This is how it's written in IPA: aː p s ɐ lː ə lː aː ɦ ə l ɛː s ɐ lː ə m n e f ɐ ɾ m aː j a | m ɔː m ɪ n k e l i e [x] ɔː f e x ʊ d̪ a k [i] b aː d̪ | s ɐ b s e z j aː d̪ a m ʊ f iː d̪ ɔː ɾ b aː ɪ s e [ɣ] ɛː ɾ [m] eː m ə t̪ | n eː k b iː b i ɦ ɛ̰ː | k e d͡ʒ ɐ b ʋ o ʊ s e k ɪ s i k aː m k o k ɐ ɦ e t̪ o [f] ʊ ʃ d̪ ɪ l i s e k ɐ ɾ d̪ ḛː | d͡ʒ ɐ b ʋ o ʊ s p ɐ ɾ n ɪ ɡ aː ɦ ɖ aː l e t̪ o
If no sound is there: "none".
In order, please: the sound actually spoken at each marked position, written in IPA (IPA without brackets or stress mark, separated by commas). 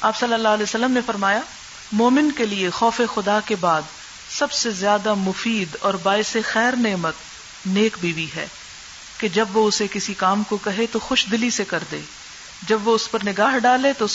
x, e, x, n, x